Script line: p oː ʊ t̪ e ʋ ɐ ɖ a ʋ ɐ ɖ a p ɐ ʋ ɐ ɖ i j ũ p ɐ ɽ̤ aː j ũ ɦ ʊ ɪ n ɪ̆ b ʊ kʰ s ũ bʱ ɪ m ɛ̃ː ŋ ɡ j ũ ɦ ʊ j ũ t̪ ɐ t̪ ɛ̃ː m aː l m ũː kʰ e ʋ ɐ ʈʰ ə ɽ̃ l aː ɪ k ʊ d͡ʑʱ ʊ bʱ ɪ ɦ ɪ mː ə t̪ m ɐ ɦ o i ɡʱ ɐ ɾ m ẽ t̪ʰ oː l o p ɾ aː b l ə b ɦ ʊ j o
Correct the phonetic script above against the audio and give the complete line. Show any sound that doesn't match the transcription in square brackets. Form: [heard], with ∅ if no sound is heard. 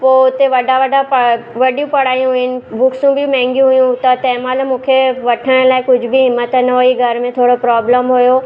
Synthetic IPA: p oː ʊ t̪ e ʋ ɐ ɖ a ʋ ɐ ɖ a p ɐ ʋ ɐ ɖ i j ũ p ɐ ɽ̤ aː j ũ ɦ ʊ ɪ n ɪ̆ b ʊ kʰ s ũ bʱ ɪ m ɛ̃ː ŋ ɡ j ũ ɦ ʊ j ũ t̪ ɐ t̪ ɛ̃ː m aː l m ũː kʰ e ʋ ɐ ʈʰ ə ɽ̃ l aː ɪ k ʊ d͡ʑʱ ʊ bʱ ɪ ɦ ɪ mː ə t̪ [n] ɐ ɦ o i ɡʱ ɐ ɾ m ẽ t̪ʰ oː [ɽ] o p ɾ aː b l ə [m] ɦ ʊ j o

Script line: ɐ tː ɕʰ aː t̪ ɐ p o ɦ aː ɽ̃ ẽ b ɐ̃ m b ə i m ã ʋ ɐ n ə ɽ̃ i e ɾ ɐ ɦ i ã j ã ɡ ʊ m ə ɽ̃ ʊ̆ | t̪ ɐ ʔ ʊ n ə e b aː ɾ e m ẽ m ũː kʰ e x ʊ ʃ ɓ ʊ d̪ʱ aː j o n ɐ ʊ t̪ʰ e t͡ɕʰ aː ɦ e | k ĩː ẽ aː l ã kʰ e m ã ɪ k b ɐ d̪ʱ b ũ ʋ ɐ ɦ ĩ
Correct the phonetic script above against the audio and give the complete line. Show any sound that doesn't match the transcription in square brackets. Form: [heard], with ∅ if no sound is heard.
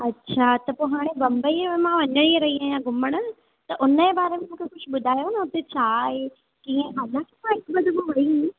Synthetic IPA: ɐ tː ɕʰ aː t̪ ɐ p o ɦ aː ɽ̃ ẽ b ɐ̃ m b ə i m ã ʋ ɐ [ɲ] ə ɽ̃ i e ɾ ɐ ɦ i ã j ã ɡ ʊ m ə ɽ̃ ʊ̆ | t̪ ɐ ʔ ʊ n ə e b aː ɾ e m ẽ m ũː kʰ e x ʊ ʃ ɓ ʊ d̪ʱ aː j o n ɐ ʊ [t̪] e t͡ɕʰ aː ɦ e | k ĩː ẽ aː l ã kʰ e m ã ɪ k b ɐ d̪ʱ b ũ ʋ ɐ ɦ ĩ

